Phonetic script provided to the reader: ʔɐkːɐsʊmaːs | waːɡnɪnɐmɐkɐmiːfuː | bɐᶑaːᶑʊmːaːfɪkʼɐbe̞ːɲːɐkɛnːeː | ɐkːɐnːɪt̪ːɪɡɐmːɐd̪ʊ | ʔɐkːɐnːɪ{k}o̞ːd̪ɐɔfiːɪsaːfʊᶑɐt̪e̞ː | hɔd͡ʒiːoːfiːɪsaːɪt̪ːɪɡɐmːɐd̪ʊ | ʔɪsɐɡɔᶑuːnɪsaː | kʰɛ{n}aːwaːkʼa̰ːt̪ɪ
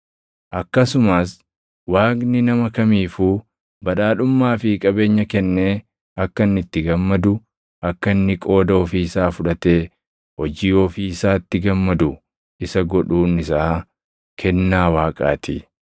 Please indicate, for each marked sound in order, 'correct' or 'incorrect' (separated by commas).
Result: incorrect, incorrect